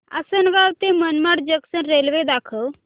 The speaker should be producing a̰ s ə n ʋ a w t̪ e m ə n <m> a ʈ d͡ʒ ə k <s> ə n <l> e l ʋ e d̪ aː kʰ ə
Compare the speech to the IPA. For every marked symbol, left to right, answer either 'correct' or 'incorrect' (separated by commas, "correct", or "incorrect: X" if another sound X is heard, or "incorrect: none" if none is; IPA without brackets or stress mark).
correct, correct, incorrect: ɾ